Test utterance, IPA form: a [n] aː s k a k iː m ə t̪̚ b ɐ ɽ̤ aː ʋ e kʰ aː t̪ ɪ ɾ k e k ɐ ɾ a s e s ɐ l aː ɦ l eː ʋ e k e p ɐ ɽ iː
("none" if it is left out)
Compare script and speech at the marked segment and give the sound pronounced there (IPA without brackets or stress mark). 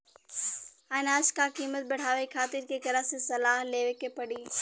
n